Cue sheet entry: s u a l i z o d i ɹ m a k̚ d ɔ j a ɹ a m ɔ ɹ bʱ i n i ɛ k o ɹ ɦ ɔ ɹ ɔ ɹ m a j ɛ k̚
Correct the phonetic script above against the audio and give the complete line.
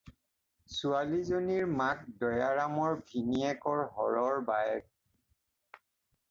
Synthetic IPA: s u a l i z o n i ɹ m a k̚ d ɔ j a ɹ a m ɔ ɹ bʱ i n i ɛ k ɔ ɹ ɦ ɔ ɹ ɔ ɹ b a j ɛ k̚